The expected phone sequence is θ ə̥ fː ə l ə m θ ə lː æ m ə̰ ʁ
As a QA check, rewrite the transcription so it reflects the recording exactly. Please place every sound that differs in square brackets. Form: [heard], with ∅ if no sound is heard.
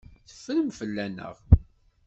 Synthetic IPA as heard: θ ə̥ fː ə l ə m [f] ə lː æ [n] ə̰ ʁ